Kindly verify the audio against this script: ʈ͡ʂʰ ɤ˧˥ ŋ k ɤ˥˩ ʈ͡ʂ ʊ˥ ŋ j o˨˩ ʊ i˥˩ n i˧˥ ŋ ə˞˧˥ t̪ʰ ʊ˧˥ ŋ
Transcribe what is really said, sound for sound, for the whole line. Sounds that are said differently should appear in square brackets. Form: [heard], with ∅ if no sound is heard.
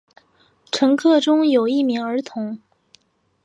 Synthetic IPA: ʈ͡ʂʰ ɤ˧˥ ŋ [kʰ] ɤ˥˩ ʈ͡ʂ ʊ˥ ŋ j o˨˩ ʊ i˥˩ [m] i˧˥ ŋ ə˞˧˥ t̪ʰ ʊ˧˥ ŋ